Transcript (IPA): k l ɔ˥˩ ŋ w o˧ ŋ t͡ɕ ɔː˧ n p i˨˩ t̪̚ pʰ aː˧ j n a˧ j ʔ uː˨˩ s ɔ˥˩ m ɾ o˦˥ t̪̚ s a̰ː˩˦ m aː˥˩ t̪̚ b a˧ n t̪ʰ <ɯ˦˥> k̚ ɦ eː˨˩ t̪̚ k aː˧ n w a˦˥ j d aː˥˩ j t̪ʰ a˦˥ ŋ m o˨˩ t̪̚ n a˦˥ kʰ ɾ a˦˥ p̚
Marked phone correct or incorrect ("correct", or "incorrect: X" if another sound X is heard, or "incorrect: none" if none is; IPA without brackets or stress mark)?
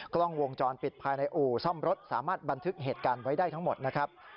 correct